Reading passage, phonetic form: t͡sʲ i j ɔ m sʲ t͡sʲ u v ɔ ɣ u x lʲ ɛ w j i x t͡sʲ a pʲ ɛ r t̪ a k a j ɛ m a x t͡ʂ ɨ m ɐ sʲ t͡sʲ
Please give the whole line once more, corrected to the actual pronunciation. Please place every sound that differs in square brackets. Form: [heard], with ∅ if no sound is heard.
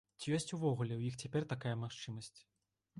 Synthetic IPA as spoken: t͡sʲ i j ɔ [∅] sʲ t͡sʲ u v ɔ ɣ u [∅] lʲ ɛ w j i x t͡sʲ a pʲ ɛ r t̪ a k a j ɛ m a x t͡ʂ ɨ m ɐ sʲ t͡sʲ